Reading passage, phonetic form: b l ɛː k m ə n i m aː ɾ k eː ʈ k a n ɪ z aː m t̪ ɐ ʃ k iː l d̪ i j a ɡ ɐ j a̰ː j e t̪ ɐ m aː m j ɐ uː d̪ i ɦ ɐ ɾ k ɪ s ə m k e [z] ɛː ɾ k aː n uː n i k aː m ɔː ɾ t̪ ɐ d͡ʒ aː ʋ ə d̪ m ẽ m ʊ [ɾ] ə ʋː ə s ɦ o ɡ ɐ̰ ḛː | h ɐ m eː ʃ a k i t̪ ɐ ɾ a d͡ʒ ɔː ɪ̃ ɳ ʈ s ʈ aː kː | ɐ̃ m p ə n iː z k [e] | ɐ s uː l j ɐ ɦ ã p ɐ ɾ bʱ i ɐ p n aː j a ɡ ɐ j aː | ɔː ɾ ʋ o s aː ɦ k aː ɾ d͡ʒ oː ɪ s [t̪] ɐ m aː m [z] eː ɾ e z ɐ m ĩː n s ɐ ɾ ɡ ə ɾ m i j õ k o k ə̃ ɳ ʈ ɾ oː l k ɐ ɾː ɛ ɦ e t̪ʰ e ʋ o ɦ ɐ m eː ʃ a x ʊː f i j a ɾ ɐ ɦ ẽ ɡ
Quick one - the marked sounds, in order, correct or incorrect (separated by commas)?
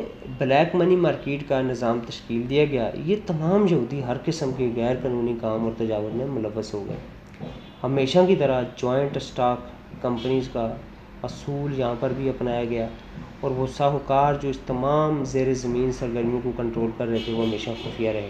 incorrect, incorrect, incorrect, correct, correct